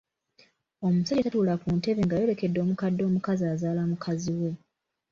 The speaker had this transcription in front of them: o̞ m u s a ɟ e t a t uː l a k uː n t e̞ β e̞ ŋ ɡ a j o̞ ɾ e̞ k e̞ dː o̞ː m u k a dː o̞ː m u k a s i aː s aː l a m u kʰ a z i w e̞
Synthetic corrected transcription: o̞ m u s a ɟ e t a t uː l a k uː n t e̞ β e̞ ŋ ɡ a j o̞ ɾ e̞ k e̞ dː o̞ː m u k a dː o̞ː m u k a z i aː z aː l a m u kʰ a z i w e̞